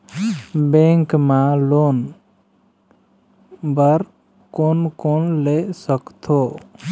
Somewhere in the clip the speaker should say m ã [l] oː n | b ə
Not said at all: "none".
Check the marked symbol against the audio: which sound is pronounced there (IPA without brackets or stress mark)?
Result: l